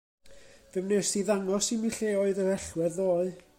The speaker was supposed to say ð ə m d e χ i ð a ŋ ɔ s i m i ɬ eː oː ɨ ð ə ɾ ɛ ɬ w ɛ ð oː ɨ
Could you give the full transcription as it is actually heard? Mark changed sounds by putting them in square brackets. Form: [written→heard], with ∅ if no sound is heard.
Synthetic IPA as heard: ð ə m [d→n] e [χ→s] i ð a ŋ ɔ s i m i ɬ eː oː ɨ ð ə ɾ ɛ ɬ w ɛ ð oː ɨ